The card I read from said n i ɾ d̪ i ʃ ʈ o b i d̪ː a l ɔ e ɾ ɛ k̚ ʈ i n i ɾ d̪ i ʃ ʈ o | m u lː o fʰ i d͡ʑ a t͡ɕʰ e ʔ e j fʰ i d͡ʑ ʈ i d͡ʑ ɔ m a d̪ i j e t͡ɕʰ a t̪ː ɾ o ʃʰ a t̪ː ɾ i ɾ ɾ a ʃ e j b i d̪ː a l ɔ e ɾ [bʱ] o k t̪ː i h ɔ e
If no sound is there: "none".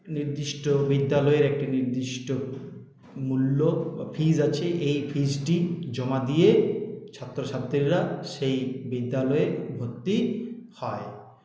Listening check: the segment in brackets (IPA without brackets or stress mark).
bʱ